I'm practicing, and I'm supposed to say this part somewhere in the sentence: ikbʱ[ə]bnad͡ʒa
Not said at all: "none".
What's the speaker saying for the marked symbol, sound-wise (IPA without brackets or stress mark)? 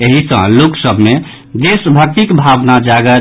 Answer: a